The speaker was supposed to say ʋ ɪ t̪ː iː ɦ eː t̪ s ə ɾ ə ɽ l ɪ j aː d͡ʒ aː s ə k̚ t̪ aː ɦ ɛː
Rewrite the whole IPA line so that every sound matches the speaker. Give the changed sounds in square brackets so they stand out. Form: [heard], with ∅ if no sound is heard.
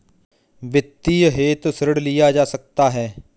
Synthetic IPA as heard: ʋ ɪ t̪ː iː ɦ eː t̪ s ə ɾ ə ɽ l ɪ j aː d͡ʒ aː s ə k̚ t̪ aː ɦ ɛː